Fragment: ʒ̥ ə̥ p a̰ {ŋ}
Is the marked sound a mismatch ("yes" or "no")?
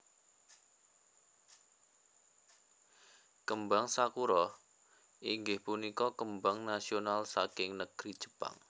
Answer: no